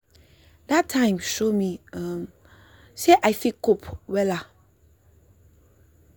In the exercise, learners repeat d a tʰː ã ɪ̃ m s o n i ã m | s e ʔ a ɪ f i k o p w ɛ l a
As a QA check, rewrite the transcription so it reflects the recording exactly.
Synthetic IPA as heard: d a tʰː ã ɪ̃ m ʃ o m i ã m | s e ʔ a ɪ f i k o p w ɛ l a